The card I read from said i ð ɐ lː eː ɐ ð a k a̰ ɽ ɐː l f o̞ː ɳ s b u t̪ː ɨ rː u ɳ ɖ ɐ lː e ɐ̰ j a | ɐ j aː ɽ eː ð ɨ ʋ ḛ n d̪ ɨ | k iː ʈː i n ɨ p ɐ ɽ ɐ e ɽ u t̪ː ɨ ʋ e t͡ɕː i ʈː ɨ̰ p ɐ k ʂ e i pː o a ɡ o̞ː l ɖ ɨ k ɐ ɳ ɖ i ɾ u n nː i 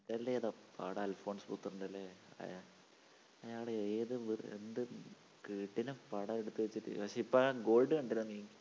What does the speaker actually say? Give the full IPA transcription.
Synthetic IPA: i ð ɐ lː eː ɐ ð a p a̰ ɽ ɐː l f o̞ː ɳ s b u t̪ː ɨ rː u ɳ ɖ ɐ lː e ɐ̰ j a | ɐ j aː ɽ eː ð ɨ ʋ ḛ n d̪ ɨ | k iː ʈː i n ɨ p ɐ ɽ ɐ e ɽ u t̪ː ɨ ʋ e t͡ɕː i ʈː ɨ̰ p ɐ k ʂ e i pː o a ɡ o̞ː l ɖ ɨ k ɐ ɳ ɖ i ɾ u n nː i